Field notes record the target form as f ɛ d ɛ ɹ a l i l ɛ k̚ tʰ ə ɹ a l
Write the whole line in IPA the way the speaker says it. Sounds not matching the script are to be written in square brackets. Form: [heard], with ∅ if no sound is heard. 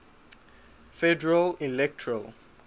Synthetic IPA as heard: f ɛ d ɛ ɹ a l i l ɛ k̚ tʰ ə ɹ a l